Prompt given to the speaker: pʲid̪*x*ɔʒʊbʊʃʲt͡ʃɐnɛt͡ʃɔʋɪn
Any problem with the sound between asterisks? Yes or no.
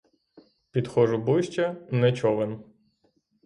no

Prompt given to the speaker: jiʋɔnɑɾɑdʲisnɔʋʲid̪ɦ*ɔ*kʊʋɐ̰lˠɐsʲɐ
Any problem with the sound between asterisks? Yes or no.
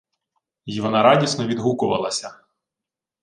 yes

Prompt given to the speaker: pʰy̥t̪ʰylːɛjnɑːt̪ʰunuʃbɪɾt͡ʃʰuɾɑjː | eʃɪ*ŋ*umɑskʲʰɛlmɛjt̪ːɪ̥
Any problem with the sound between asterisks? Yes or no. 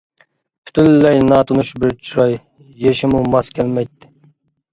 yes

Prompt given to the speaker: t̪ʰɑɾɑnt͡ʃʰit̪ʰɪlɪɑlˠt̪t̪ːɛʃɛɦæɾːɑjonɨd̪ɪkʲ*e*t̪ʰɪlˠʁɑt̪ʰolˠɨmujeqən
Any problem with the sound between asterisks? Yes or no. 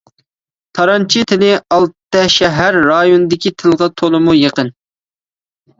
yes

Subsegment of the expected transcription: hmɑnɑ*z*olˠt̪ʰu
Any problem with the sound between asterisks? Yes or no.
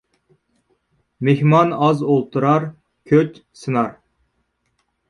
no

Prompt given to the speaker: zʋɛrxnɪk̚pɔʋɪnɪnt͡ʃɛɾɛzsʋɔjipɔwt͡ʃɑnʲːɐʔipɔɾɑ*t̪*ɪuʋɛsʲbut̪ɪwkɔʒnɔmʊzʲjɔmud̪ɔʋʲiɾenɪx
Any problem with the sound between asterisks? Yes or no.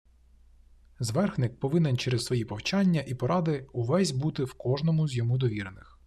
yes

